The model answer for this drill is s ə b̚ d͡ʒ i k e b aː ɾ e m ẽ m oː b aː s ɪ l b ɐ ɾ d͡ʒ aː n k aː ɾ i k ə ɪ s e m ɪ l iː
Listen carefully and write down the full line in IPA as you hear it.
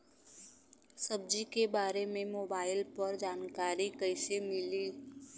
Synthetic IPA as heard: s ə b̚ d͡ʒ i k e b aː ɾ e m ẽ m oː b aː ɪ l p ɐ ɾ d͡ʒ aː n k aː ɾ i k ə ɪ s e m ɪ l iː